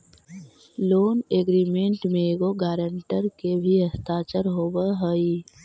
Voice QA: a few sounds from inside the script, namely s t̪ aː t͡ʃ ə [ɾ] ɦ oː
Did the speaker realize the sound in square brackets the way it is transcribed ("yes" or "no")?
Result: yes